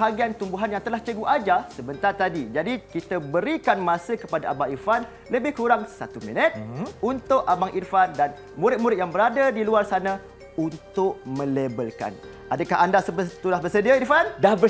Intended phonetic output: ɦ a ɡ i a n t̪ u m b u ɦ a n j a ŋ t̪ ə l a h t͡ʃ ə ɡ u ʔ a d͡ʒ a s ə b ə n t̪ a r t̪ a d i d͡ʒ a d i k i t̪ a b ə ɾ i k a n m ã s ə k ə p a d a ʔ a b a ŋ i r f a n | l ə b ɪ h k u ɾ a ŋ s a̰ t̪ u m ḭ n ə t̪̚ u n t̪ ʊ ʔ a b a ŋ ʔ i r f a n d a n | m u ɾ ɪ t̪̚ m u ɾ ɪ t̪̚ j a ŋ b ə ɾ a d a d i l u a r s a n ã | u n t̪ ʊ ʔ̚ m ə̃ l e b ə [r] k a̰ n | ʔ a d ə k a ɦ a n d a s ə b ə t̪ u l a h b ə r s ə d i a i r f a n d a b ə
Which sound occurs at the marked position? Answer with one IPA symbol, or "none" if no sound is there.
l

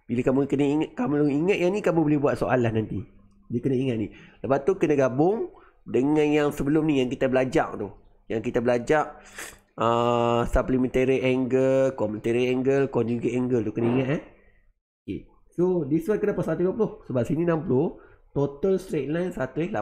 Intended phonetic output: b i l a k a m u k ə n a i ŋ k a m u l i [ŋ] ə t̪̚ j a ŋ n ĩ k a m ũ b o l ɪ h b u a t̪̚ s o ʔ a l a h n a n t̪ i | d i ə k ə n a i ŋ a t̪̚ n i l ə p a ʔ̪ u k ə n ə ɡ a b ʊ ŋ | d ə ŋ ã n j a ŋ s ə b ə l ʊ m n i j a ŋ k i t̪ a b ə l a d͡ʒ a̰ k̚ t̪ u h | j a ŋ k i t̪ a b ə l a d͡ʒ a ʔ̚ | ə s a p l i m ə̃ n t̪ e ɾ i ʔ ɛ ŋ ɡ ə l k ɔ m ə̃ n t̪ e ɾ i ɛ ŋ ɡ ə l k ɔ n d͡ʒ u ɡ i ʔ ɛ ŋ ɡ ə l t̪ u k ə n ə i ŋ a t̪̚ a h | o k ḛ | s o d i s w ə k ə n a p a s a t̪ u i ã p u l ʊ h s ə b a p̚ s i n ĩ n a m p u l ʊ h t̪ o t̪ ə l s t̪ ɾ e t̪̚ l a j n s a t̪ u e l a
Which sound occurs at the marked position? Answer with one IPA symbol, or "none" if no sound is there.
ŋ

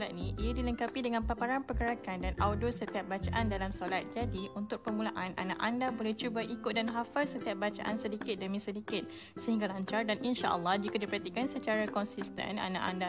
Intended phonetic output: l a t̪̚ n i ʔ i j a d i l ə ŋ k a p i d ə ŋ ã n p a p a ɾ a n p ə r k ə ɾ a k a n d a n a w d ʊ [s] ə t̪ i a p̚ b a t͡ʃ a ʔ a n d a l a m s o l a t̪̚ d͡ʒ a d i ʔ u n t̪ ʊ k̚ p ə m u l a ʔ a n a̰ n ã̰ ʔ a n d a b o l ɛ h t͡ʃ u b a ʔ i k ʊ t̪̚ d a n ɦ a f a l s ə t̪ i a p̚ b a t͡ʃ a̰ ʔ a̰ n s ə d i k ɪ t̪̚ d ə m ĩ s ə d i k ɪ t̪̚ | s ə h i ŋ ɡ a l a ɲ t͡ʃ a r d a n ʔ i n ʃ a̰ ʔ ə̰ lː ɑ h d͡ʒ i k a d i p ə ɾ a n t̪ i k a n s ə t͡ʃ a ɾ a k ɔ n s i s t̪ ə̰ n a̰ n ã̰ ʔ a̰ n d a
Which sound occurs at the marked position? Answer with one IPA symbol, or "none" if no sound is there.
s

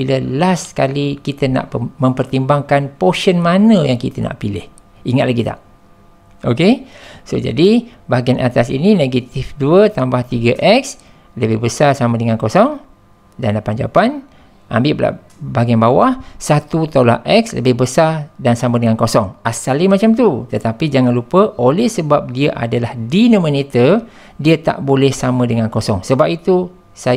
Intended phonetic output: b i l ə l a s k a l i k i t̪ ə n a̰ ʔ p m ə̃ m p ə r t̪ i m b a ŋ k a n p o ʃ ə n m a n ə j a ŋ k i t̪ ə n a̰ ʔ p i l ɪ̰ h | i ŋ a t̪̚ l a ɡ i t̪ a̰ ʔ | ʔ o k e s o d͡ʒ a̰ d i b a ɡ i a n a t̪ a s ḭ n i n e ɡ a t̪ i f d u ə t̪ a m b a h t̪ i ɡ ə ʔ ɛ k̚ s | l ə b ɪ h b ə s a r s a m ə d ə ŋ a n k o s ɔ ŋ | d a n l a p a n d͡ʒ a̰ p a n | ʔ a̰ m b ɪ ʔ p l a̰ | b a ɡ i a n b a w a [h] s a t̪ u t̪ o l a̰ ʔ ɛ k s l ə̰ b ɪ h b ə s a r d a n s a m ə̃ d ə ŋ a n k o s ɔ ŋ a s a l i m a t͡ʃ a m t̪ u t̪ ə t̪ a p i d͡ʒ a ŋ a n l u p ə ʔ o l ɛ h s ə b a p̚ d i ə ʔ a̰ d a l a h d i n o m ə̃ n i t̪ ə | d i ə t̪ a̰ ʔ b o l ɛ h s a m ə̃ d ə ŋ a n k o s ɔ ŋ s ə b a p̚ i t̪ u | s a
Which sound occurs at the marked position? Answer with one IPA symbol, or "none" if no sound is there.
h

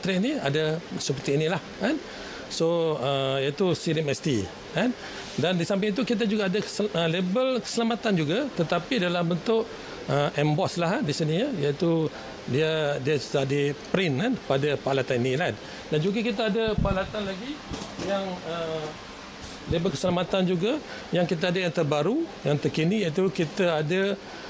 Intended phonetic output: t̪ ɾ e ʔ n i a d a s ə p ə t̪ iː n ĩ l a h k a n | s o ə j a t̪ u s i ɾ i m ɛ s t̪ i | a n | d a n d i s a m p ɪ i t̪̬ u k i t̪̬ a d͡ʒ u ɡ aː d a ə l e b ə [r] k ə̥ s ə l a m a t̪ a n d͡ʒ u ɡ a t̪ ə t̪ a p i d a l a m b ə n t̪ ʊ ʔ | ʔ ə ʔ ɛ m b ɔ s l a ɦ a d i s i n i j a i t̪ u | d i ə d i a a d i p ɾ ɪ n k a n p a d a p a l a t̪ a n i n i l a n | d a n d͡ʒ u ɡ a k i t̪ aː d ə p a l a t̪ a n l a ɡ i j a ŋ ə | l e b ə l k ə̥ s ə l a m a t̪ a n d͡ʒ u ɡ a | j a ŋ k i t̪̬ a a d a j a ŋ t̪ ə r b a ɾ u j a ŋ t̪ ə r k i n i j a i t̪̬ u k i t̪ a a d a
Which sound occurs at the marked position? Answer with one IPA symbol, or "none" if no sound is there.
l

